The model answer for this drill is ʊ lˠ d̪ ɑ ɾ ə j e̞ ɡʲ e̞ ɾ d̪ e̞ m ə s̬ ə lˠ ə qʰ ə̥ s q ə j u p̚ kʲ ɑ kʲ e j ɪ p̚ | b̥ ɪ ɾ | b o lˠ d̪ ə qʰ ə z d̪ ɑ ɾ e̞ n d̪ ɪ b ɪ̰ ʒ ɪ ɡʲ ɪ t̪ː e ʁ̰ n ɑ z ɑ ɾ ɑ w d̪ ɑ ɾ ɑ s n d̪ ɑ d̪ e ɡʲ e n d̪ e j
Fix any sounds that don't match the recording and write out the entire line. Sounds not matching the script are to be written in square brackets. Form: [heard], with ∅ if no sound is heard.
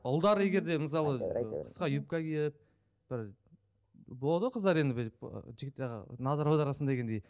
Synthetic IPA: ʊ lˠ d̪ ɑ ɾ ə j e̞ ɡʲ e̞ ɾ d̪ e̞ m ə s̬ [ɑ] lˠ ə qʰ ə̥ s q [ɑ] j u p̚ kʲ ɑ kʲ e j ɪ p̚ | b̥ ɪ ɾ | b o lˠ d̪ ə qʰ ə z d̪ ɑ ɾ e̞ n d̪ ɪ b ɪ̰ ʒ ɪ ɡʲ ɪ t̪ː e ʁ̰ n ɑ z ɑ ɾ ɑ w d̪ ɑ ɾ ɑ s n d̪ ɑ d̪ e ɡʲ e n d̪ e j